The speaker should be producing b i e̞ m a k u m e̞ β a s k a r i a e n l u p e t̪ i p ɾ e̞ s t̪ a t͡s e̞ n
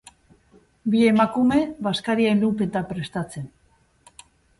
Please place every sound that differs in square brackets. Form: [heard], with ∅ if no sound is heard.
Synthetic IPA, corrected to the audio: b i e̞ m a k u m e̞ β a s k a [ɾ] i a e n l u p e t̪ [a] p ɾ e̞ s t̪ a t͡s e̞ n

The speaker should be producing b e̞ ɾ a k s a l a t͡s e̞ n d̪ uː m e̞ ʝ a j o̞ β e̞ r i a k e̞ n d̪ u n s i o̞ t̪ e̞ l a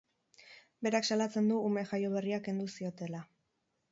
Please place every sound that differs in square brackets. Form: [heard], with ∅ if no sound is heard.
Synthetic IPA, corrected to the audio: b e̞ ɾ a k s a l a t͡s e̞ n d̪ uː m e̞ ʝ a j o̞ β e̞ r i a k e̞ n d̪ u [∅] s i o̞ t̪ e̞ l a

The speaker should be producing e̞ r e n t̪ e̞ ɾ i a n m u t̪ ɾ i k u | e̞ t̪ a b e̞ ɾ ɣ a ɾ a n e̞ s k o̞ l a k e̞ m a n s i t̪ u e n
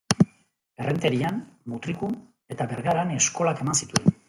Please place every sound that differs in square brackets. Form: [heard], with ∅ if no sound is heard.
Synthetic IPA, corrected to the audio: e̞ r e n t̪ e̞ ɾ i a n m u t̪ ɾ i k u | e̞ t̪ a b e̞ ɾ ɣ a ɾ a n e̞ s k o̞ l a k e̞ m a n s i t̪ u e n

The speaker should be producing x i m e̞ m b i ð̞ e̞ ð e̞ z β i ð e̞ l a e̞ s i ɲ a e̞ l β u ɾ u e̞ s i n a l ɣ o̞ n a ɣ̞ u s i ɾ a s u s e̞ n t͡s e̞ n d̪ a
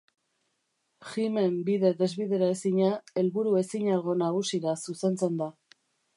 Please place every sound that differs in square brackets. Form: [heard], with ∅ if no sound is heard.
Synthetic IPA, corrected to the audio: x i m e̞ m b i ð̞ e̞ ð e̞ z β i ð e̞ [ɾ] a e̞ s i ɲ a e̞ l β u ɾ u e̞ s i [ɲ] a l ɣ o̞ n a ɣ̞ u s i ɾ a s u s e̞ n t͡s e̞ n d̪ a

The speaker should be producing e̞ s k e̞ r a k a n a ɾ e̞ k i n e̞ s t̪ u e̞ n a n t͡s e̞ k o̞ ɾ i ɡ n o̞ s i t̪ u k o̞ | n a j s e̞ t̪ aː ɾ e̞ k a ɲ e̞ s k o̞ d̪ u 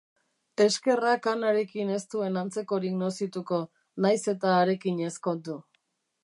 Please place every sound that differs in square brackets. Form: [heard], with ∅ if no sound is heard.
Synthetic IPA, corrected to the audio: e̞ s k e̞ r a k a n a ɾ e̞ k i n e̞ s t̪ u e̞ n a n t͡s e̞ k o̞ ɾ i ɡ n o̞ s i t̪ u k o̞ | n a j s e̞ t̪ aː ɾ e̞ k [i] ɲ e̞ s k o̞ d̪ u

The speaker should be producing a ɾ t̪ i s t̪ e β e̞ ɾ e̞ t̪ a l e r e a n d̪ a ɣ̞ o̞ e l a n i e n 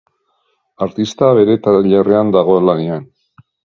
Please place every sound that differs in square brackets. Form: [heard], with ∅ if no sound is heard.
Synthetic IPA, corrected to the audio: a ɾ t̪ i s t̪ [a] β e̞ ɾ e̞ t̪ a [ʎ] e r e a n d̪ a ɣ̞ o̞ e l a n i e n

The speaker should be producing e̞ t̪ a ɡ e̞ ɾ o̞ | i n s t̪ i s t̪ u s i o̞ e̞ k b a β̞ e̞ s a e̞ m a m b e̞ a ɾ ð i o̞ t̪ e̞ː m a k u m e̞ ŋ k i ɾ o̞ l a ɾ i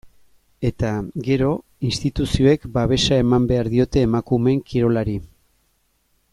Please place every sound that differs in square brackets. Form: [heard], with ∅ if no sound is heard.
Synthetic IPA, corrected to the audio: e̞ t̪ a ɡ e̞ ɾ o̞ | i n s t̪ i [∅] t̪ u s i o̞ e̞ k b a β̞ e̞ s a e̞ m a m b e̞ a ɾ ð i o̞ t̪ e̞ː m a k u m e̞ ŋ k i ɾ o̞ l a ɾ i

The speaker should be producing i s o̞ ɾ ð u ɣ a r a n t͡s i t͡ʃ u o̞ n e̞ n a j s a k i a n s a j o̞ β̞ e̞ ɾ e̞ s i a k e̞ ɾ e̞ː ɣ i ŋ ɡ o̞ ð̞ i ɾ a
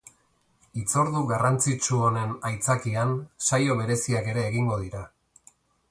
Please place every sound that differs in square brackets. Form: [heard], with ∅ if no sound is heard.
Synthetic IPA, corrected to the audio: i [t͡s] o̞ ɾ ð u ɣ a r a n t͡s i t͡ʃ u o̞ n e̞ n a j [t͡s] a k i a n s a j o̞ β̞ e̞ ɾ e̞ s i a k e̞ ɾ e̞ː ɣ i ŋ ɡ o̞ ð̞ i ɾ a

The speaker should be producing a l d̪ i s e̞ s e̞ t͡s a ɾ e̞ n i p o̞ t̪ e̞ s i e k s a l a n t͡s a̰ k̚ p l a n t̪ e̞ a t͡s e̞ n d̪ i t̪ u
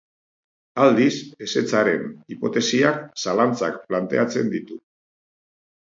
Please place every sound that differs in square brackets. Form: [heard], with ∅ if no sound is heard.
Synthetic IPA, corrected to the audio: a l d̪ i s e̞ s e̞ t͡s a ɾ e̞ n i p o̞ t̪ e̞ s i [a] k s a l a n t͡s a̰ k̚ p l a n t̪ e̞ a t͡s e̞ n d̪ i t̪ u

